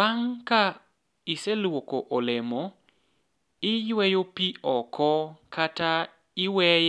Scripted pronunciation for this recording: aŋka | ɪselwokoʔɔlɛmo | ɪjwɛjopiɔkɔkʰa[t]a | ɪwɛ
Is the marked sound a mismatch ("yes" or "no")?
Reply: no